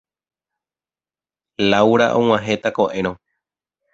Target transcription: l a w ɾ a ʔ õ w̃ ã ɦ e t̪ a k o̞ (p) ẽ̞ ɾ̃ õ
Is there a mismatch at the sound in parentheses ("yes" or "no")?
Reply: yes